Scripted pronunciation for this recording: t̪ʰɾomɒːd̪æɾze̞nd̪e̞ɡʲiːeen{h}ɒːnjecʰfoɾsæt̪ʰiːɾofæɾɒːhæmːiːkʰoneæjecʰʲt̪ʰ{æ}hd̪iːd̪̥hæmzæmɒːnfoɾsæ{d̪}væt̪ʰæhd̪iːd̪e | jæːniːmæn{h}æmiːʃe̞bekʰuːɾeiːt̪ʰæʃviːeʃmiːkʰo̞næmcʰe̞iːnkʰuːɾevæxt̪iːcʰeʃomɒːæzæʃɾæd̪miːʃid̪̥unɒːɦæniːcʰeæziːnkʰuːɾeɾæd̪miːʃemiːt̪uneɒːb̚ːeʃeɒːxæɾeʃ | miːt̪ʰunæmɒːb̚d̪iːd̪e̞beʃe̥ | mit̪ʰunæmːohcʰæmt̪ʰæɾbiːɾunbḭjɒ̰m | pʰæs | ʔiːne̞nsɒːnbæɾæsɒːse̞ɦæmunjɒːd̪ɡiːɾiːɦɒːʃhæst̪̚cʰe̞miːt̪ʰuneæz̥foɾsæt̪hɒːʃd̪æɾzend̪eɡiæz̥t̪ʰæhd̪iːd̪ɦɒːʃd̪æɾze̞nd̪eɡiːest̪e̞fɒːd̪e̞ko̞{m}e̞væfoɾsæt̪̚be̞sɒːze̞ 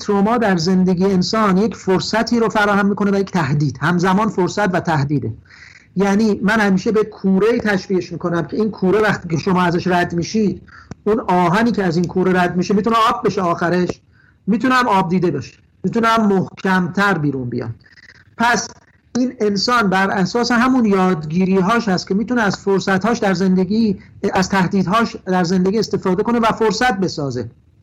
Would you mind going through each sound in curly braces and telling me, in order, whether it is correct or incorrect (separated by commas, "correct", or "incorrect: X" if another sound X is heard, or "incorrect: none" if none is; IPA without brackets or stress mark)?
incorrect: s, correct, incorrect: t̪, correct, incorrect: n